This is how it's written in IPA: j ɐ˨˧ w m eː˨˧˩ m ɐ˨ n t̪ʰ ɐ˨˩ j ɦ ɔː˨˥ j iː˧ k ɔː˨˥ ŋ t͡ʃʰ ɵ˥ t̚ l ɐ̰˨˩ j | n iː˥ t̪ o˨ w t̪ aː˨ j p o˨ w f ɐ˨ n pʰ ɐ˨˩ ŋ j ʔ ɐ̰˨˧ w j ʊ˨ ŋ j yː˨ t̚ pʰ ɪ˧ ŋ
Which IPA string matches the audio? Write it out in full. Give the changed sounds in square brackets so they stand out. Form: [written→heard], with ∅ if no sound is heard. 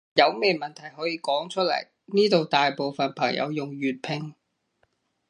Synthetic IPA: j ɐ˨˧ w m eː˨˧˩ m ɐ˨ n t̪ʰ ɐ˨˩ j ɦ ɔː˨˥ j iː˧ k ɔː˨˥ ŋ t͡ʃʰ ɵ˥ t̚ l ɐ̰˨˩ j | n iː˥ t̪ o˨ w t̪ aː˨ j p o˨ w f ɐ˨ n pʰ ɐ˨˩ ŋ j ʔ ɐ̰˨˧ w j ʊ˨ ŋ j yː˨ t̚ pʰ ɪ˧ ŋ